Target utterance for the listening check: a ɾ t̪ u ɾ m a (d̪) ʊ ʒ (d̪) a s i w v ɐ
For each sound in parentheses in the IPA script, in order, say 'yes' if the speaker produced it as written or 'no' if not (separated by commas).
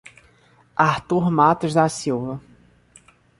no, yes